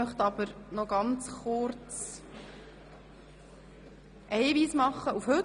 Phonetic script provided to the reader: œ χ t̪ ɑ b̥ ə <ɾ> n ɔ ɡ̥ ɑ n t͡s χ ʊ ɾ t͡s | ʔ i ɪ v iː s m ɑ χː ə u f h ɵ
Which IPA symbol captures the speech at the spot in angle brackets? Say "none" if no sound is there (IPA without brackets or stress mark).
ɾ